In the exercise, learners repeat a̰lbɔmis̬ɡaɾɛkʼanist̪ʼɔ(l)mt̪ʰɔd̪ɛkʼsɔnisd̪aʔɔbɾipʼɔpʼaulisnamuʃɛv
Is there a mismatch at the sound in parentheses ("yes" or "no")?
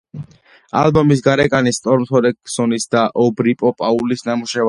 yes